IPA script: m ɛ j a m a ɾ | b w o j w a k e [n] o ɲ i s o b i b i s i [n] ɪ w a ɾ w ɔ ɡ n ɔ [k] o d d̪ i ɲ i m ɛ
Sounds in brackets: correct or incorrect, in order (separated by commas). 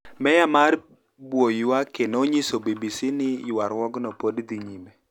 correct, correct, incorrect